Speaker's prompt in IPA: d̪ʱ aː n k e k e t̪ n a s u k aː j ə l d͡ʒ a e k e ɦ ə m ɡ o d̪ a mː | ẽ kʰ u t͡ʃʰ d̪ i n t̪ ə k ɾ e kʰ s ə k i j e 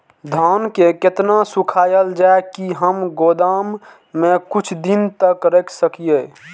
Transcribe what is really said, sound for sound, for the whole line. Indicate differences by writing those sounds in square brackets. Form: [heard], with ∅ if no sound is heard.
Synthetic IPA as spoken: d̪ʱ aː n k e k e t̪ n a s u [kʰ] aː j ə l d͡ʒ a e k [i] ɦ ə m ɡ o d̪ a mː | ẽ [k] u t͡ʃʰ d̪ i n t̪ ə k ɾ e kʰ s ə k i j e